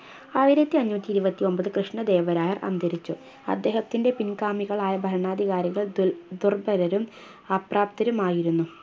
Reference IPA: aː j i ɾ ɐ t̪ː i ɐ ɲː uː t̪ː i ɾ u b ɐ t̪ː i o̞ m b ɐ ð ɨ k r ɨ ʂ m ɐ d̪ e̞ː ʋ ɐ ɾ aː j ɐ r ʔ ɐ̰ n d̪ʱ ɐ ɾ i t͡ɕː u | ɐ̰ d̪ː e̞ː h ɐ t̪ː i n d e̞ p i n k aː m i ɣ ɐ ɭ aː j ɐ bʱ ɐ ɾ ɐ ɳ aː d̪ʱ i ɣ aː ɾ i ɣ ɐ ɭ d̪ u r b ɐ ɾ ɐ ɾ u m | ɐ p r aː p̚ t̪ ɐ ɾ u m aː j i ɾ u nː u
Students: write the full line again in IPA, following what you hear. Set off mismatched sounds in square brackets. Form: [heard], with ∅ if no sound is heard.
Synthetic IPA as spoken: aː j i ɾ ɐ t̪ː i ɐ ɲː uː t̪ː i ɾ u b ɐ t̪ː i o̞ m b ɐ ð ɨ k r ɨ ʂ [ɳ] ɐ d̪ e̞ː ʋ ɐ ɾ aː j ɐ r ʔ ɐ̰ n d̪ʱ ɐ ɾ i t͡ɕː u | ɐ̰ d̪ː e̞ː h ɐ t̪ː i n d e̞ p i n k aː m i ɣ ɐ ɭ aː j ɐ bʱ ɐ ɾ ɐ ɳ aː d̪ʱ i ɣ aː ɾ i ɣ ɐ ɭ d̪ u r b ɐ ɾ ɐ ɾ u m | ɐ p r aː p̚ t̪ ɐ ɾ u m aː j i ɾ u nː u